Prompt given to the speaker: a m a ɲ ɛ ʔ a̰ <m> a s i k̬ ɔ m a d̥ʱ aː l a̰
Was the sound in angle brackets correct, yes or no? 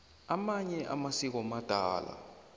yes